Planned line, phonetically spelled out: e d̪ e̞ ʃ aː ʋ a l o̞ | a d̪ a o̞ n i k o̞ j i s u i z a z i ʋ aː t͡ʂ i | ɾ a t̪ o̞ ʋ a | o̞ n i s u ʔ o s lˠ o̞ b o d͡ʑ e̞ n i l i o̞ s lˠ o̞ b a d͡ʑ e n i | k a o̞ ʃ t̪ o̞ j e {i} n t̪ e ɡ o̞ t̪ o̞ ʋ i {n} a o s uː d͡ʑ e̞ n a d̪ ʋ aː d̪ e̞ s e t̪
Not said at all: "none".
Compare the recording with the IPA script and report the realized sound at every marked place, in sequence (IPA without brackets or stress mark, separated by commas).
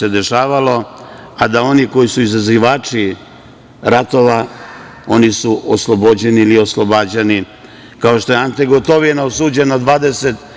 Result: a, n